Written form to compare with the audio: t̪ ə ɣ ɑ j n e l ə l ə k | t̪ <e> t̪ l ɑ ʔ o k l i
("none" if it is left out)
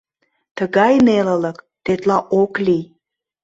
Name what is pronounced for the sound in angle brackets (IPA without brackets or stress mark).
e